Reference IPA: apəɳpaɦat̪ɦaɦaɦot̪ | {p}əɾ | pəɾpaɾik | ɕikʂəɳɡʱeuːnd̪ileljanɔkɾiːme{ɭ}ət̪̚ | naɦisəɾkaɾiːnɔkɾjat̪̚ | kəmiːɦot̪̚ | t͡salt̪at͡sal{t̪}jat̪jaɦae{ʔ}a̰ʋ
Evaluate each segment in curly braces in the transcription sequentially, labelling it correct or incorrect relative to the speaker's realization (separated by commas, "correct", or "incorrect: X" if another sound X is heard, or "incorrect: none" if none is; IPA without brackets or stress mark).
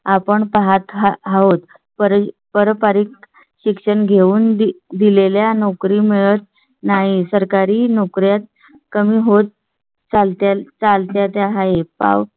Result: correct, correct, correct, incorrect: p